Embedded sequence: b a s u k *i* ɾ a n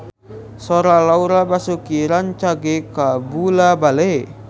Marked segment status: correct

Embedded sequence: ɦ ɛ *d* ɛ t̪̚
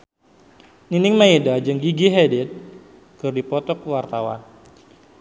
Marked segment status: correct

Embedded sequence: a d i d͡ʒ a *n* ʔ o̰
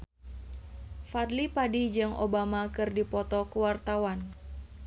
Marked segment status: incorrect: ŋ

